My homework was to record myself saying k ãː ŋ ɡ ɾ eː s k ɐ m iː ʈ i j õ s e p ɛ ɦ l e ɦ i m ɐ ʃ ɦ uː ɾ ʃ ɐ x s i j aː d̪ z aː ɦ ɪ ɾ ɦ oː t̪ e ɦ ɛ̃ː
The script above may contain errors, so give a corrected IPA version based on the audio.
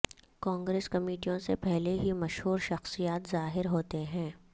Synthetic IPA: k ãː ŋ ɡ ɾ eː s k ɐ m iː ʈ i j õ s e p ɛ ɦ l e ɦ i m ɐ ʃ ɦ uː ɾ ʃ ɐ x s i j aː t̪ z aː ɦ ɪ ɾ ɦ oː t̪ e ɦ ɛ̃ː